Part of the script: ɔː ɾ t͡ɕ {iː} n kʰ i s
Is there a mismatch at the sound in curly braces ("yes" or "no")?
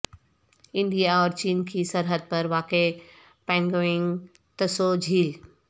no